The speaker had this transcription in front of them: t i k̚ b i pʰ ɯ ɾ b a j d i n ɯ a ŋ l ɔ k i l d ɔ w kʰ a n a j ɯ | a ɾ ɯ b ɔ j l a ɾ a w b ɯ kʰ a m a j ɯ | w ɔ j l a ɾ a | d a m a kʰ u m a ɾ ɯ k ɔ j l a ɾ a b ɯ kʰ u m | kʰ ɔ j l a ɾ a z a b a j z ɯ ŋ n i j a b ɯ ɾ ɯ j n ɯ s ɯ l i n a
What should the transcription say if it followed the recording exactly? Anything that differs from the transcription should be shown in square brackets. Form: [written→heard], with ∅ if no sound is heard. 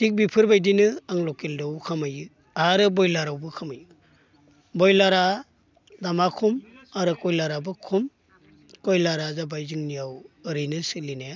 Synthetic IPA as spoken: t i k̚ b i pʰ ɯ ɾ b a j d i n ɯ a ŋ l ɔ k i l d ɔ w kʰ a [n→m] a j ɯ | a ɾ ɯ b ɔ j l a ɾ a w b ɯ kʰ a m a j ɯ | [w→b] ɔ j l a ɾ a | d a m a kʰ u m a ɾ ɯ k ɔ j l a ɾ a b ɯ kʰ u m | [kʰ→k] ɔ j l a ɾ a z a b a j z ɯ ŋ n i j a [b→w] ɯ ɾ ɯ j n ɯ s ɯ l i n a